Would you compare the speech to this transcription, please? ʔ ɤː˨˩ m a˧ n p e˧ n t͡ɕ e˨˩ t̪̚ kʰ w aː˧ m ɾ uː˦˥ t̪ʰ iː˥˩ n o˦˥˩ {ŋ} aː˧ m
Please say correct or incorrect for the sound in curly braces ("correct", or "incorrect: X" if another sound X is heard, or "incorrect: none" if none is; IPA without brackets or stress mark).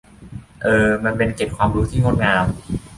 correct